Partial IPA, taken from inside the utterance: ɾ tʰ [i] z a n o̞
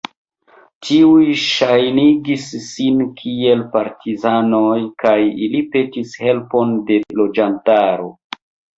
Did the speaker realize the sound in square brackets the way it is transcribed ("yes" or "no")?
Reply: yes